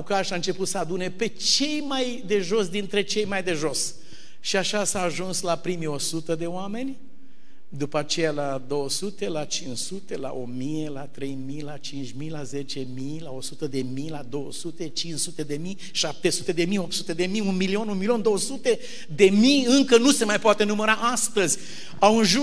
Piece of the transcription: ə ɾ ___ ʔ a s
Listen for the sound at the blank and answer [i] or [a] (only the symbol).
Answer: a